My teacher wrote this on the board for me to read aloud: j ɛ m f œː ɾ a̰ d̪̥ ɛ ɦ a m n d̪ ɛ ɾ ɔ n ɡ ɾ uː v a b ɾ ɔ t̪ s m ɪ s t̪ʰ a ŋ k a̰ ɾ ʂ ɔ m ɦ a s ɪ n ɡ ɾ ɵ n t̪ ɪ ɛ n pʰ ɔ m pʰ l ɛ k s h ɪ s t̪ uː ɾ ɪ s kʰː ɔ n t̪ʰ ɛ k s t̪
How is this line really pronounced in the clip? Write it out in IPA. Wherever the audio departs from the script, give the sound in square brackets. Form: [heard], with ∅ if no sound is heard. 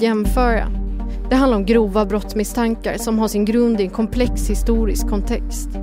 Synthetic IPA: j ɛ m f œː ɾ a̰ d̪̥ ɛ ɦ a [∅] n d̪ [a] ɾ ɔ [m] ɡ ɾ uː v a b ɾ ɔ t̪ s m ɪ s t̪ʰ a ŋ k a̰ ɾ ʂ ɔ m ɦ a [ʂ] ɪ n ɡ ɾ ɵ n [d̪] ɪ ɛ n [kʰ] ɔ m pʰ l ɛ k s h ɪ s t̪ uː ɾ ɪ s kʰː ɔ n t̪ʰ ɛ k s t̪